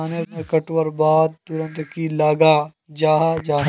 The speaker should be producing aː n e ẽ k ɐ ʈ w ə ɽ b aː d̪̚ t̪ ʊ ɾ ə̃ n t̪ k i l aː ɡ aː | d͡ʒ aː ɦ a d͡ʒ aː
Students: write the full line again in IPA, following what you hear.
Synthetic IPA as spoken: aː n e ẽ k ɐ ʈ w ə ɾ b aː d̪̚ t̪ ʊ ɾ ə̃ n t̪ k i l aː ɡ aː | d͡ʒ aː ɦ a d͡ʒ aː